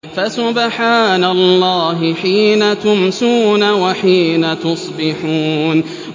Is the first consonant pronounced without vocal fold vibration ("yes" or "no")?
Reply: yes